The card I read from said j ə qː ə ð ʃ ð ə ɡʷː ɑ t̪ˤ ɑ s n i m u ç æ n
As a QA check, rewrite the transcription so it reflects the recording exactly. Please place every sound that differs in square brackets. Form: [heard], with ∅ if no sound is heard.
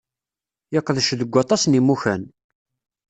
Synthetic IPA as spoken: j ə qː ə ð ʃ ð ə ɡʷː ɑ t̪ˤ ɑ s n i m u ç æ n